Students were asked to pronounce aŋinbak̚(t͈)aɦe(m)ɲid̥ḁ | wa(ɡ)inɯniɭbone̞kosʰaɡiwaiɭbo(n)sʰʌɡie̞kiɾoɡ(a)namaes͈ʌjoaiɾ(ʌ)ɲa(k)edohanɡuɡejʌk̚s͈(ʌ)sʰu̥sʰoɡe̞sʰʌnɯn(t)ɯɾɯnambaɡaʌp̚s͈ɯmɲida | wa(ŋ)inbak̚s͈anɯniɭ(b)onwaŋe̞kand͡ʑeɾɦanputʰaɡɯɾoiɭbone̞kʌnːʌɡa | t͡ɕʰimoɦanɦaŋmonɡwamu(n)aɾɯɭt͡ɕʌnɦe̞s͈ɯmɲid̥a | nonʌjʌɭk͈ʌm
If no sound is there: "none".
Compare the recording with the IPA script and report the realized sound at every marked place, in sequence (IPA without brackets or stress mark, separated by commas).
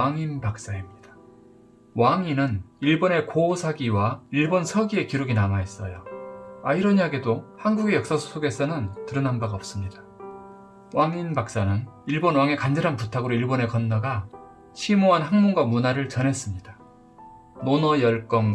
s͈, m, ŋ, n, i, ʌ, ɡ, a, t, ŋ, b, n